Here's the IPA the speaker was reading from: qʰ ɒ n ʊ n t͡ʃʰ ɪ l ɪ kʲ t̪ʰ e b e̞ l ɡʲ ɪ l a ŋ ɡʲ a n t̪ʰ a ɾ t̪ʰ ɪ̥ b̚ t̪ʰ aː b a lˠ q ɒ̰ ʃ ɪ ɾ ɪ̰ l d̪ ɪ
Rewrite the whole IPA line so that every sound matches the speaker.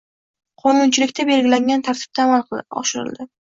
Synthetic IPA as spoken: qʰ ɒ n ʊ n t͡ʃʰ ɪ l ɪ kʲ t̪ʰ a b e̞ l ɡʲ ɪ l a ŋ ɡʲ a n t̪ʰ a ɾ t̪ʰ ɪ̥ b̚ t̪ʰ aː m a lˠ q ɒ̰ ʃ ɪ ɾ ɪ̰ l d̪ ɪ